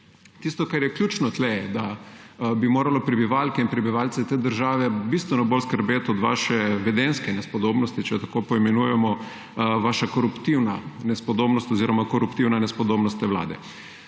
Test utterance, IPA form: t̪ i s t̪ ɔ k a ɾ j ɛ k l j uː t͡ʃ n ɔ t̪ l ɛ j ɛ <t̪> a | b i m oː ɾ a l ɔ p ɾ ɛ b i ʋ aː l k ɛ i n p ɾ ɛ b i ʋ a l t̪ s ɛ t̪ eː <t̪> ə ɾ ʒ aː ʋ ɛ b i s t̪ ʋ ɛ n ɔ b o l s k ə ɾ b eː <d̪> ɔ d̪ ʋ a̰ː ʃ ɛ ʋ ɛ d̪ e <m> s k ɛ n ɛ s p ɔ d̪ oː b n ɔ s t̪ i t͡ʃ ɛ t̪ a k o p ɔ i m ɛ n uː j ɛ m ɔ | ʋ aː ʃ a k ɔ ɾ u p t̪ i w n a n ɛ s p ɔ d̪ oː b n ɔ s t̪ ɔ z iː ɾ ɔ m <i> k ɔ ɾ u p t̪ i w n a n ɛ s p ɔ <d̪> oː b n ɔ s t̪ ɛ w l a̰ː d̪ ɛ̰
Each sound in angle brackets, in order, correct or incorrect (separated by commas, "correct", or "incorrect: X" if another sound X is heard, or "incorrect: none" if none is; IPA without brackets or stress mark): incorrect: d̪, incorrect: d̪, incorrect: t̪, incorrect: n, incorrect: a, correct